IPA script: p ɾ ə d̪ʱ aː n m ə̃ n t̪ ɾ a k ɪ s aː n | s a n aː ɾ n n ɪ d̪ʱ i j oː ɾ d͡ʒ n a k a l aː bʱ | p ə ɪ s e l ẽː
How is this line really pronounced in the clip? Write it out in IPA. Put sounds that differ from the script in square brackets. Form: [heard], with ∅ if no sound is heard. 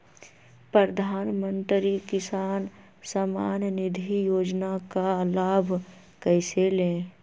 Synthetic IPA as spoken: p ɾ ə d̪ʱ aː n m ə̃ n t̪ ɾ [i] k ɪ s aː n | s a [m] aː [∅] n n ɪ d̪ʱ i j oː [∅] d͡ʒ n a k a l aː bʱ | [k] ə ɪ s e l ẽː